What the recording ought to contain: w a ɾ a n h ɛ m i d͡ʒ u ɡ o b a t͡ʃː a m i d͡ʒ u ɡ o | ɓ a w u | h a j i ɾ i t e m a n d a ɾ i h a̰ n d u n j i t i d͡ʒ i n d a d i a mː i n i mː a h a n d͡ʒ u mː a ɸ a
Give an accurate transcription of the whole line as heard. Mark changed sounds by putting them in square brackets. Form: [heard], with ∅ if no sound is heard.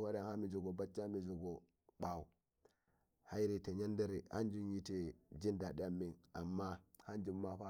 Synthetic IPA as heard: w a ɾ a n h [a] m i d͡ʒ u ɡ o b a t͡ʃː a m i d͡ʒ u ɡ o | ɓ a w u | h a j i ɾ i t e [ɲ] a n d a ɾ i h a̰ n [d͡ʒ] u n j i t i d͡ʒ i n d a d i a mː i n [a] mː a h a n d͡ʒ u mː a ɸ a